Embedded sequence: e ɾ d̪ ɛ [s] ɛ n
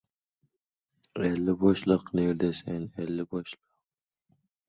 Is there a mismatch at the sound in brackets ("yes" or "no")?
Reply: no